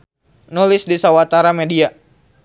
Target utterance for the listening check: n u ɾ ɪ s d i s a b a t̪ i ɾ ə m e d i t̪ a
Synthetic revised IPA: n u l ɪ s d i s a w a t̪ a ɾ a m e d i a